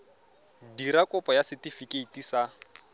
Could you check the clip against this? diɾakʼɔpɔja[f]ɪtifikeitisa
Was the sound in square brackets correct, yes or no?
no